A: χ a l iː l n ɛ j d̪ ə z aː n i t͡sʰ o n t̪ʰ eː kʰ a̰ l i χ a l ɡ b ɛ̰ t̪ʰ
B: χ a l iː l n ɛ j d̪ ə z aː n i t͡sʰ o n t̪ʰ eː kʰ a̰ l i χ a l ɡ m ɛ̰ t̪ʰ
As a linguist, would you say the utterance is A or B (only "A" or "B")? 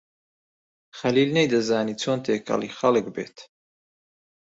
A